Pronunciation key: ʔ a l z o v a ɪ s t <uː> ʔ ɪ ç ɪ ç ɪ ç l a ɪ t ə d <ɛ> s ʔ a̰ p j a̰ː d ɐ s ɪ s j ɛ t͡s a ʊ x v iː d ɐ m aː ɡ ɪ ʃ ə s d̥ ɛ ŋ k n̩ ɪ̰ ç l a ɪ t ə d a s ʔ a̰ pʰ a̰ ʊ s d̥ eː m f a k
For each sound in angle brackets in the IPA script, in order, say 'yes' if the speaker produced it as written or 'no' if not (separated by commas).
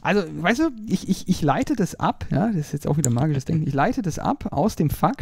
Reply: yes, no